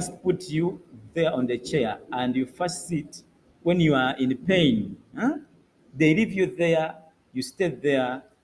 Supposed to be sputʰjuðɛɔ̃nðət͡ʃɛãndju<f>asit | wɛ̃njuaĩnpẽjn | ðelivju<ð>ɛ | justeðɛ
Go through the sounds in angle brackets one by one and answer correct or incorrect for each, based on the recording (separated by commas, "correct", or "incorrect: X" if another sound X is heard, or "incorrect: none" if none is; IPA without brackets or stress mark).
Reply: correct, correct